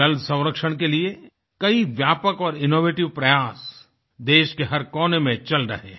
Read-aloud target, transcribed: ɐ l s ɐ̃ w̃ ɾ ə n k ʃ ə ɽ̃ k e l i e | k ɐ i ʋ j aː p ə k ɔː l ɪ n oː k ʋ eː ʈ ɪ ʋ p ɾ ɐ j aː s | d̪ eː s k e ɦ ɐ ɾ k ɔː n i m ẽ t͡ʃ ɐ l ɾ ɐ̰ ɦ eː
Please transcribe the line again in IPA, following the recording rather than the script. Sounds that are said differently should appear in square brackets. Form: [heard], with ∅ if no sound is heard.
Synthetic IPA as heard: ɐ l s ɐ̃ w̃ ɾ ə [∅] k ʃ ə ɽ̃ k e l i e | k ɐ i ʋ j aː p ə k ɔː [ɾ] ɪ n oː [∅] ʋ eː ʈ ɪ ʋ p ɾ ɐ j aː s | d̪ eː [ʃ] k e ɦ ɐ ɾ k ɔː n [e] m ẽ t͡ʃ ɐ l ɾ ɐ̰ ɦ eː